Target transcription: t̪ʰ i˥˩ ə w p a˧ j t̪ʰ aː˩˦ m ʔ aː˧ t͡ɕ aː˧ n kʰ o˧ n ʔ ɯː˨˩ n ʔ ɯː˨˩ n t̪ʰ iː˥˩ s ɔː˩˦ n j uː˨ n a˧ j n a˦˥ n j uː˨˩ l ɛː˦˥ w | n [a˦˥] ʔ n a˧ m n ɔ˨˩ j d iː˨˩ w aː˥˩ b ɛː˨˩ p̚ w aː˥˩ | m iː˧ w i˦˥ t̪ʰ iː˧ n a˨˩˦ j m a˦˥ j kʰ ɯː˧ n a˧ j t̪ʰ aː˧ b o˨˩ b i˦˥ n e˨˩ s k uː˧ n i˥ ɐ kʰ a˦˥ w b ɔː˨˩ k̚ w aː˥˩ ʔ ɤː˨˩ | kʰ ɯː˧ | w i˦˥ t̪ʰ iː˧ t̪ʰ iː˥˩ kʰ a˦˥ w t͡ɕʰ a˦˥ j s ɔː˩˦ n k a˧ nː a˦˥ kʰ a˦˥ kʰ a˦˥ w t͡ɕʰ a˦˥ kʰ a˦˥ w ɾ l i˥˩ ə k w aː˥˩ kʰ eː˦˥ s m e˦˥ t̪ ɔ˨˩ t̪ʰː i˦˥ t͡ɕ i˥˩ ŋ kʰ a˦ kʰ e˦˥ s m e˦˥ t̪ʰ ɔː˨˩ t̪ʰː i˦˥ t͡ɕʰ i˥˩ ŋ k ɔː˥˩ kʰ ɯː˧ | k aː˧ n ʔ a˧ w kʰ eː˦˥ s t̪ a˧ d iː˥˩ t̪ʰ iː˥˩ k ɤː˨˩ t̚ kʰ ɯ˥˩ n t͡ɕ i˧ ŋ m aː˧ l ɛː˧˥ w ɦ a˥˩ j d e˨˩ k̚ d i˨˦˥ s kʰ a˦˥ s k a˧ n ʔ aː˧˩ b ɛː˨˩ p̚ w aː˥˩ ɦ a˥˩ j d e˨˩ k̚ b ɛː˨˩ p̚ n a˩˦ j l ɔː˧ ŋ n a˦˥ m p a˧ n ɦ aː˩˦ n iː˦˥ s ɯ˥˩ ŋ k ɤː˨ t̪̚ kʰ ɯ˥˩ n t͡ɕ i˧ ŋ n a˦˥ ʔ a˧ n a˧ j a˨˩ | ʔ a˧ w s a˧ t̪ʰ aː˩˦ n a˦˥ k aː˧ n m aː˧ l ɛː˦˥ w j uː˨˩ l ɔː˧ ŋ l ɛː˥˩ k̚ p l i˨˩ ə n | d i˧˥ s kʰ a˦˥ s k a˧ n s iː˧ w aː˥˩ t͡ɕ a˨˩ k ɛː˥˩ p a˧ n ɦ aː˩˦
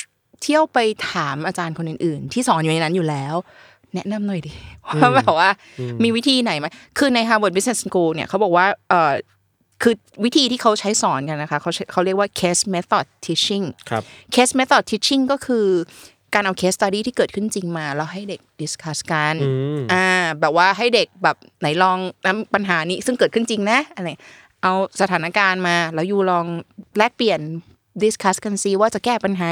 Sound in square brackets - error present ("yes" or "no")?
yes